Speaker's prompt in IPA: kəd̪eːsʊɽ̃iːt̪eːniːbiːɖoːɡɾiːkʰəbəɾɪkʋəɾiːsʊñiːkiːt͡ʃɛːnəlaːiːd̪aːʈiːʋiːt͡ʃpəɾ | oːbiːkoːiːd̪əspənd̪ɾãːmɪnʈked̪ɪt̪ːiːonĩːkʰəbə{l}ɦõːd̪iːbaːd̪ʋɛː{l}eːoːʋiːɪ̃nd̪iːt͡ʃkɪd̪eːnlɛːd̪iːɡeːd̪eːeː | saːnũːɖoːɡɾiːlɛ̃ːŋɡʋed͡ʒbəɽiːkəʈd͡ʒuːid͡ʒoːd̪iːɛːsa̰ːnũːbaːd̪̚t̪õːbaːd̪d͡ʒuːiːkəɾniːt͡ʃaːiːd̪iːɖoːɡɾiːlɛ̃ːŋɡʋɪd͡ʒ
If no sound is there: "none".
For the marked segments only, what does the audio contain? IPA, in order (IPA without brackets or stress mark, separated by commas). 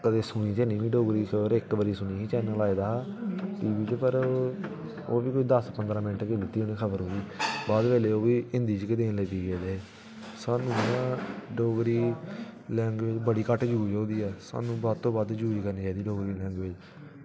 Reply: ɾ, l